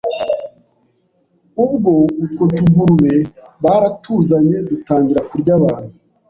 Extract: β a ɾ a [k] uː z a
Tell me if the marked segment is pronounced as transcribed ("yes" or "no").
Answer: no